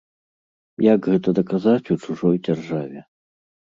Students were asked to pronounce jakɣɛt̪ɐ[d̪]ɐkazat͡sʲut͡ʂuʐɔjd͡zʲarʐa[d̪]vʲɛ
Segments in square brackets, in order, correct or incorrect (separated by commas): correct, incorrect